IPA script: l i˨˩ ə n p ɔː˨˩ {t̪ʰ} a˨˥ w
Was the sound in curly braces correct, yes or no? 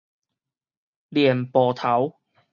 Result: yes